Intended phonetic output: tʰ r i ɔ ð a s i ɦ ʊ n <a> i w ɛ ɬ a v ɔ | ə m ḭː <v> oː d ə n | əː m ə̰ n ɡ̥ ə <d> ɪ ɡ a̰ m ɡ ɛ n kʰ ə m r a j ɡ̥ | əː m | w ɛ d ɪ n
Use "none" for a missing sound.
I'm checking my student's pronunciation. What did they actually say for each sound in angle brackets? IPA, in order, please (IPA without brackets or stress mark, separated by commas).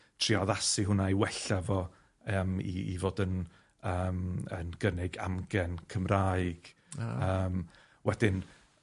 a, v, n